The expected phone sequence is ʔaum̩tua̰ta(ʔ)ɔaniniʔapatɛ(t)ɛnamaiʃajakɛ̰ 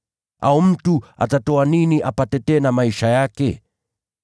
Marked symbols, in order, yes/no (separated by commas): no, yes